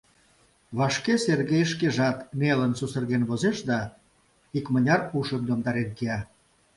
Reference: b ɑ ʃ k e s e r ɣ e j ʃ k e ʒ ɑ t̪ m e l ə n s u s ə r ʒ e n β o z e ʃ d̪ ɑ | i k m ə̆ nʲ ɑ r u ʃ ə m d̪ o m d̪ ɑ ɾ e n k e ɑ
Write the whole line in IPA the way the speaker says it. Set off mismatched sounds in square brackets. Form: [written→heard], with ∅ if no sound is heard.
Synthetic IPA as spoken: [b→β] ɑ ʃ k e s e r ɣ e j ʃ k e ʒ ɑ t̪ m e l ə n s u s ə r [ʒ→ɣ] e n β o z e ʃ d̪ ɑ | i k m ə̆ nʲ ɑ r u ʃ ə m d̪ o m d̪ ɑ ɾ e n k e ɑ